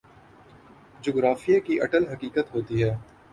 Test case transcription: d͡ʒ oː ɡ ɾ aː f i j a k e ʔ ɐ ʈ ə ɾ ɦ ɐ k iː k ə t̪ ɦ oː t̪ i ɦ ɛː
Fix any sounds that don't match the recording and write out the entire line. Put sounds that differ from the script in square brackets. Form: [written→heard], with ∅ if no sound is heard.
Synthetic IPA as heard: d͡ʒ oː ɡ ɾ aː f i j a k [e→i] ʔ ɐ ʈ ə [ɾ→l] ɦ ɐ k iː k ə t̪ ɦ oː t̪ i ɦ ɛː